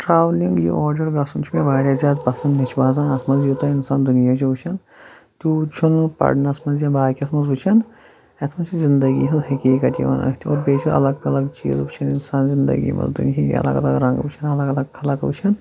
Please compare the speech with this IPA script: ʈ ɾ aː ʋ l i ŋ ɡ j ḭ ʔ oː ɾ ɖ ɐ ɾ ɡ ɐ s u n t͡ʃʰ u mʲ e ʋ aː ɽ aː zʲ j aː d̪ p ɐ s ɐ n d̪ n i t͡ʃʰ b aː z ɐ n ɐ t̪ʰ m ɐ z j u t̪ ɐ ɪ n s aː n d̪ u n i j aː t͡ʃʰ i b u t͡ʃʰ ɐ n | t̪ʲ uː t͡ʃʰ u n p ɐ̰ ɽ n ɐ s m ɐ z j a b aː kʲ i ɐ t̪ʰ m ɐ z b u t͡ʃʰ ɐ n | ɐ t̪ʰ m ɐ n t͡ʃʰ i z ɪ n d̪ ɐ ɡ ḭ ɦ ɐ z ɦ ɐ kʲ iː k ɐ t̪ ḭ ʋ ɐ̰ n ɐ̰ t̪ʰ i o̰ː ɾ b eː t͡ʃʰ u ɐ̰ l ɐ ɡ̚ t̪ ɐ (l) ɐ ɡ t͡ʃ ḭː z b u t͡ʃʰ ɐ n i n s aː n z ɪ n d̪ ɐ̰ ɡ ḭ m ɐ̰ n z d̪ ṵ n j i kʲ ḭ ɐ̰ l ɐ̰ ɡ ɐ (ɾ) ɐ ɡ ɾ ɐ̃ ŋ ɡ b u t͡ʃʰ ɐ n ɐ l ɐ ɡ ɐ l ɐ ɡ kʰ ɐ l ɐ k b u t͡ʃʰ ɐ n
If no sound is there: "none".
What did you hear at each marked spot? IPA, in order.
l, l

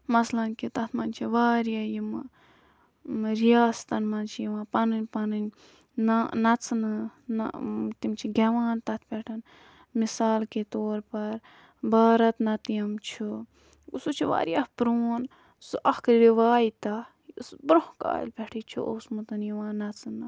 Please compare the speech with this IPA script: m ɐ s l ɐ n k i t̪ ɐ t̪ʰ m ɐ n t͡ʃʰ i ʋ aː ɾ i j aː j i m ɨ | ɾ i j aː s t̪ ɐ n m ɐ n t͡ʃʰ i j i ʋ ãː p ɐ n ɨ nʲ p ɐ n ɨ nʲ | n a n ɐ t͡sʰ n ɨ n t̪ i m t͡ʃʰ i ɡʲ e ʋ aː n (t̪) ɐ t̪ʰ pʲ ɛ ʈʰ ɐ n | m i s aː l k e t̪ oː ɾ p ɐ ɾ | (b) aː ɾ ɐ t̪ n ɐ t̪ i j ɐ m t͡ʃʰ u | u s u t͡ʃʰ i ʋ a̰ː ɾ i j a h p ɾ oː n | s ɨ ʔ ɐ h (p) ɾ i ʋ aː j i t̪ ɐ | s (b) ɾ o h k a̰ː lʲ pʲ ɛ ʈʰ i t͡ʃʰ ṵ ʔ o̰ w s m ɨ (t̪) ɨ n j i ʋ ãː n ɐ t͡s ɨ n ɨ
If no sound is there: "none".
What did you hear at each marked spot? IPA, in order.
t̪, b, k, b, t̪

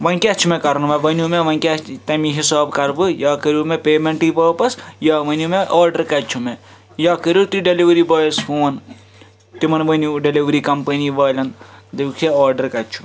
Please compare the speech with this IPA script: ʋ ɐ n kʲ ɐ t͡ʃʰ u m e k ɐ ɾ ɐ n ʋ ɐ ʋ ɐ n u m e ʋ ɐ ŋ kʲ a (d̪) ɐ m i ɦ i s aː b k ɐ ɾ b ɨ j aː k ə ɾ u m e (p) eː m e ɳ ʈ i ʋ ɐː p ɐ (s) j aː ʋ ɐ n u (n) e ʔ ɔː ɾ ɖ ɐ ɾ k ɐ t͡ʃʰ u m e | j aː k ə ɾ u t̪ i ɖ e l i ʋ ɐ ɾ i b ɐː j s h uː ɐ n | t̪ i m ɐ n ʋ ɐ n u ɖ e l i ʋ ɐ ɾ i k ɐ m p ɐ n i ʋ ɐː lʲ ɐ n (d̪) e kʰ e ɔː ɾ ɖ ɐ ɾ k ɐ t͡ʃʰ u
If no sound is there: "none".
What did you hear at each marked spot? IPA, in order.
t̪, p, s, m, d̪

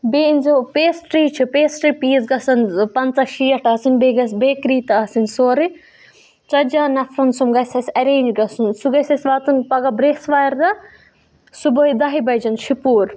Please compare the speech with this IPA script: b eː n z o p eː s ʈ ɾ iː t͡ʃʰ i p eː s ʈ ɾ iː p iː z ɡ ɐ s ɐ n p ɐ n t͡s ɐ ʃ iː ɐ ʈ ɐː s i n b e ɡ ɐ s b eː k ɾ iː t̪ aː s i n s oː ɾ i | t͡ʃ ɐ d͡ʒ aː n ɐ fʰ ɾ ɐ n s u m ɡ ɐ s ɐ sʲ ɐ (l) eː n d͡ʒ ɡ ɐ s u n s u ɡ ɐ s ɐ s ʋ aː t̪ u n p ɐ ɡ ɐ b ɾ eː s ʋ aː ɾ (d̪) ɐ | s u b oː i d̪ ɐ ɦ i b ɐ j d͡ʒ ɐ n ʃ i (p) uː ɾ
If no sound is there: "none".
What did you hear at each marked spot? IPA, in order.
ɾ, d̪, p

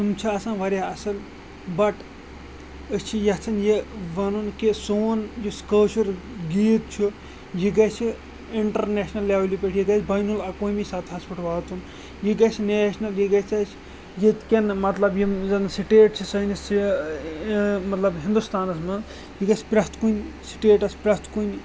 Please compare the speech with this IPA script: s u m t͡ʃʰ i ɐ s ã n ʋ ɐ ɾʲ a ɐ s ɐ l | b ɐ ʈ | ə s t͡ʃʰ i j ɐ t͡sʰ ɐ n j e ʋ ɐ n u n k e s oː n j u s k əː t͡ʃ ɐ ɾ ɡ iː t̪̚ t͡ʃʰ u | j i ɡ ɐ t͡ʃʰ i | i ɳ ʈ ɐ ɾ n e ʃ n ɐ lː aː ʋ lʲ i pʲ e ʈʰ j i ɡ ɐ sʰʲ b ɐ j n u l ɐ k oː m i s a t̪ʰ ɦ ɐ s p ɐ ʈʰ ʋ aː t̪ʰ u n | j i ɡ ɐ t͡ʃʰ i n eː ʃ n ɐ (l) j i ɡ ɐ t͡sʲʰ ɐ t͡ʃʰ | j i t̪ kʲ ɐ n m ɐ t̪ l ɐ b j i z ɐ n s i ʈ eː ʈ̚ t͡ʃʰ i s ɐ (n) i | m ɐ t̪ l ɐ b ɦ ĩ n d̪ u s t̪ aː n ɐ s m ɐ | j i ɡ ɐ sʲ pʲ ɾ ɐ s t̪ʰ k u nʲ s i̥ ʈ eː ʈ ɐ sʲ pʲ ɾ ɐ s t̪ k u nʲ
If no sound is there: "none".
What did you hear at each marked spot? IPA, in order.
l, n

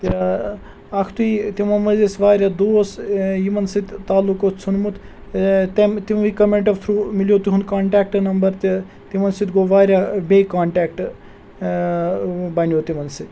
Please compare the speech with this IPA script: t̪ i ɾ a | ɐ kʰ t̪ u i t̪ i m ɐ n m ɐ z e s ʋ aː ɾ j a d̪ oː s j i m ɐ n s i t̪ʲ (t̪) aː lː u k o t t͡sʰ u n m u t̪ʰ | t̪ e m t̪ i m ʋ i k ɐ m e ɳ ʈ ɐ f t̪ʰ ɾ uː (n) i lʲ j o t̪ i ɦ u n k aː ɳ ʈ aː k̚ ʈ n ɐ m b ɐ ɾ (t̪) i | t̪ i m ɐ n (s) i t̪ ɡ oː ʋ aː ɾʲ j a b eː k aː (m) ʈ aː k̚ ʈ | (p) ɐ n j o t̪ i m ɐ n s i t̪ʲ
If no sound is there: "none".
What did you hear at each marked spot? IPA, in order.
t̪, m, t̪, s, ɳ, b

